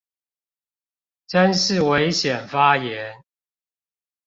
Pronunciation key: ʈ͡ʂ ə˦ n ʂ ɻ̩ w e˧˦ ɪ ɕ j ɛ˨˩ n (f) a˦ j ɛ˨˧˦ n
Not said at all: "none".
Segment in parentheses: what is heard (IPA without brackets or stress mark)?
f